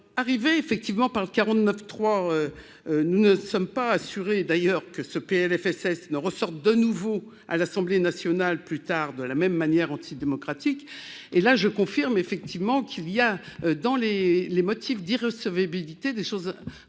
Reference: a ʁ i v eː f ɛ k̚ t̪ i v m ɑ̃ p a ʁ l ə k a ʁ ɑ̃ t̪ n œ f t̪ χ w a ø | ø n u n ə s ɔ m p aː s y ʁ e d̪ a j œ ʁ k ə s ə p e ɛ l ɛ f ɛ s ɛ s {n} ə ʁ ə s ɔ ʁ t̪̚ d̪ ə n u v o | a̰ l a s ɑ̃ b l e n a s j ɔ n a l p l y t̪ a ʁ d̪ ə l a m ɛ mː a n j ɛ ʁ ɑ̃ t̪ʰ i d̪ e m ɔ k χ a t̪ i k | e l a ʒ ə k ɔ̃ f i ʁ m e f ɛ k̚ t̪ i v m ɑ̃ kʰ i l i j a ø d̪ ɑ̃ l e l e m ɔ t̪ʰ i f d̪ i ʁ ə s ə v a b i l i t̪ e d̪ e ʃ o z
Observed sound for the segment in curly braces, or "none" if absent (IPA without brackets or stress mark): n